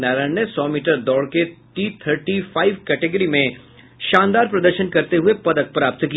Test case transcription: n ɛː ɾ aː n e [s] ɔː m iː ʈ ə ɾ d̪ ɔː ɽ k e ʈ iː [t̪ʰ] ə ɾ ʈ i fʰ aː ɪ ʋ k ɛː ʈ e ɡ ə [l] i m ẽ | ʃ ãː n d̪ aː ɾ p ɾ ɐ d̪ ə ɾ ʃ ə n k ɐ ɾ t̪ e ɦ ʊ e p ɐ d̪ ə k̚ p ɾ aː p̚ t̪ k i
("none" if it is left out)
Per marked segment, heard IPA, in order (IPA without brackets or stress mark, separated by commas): s, t̪ʰ, ɾ